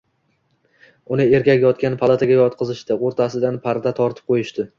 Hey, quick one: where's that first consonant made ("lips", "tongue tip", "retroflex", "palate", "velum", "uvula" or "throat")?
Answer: tongue tip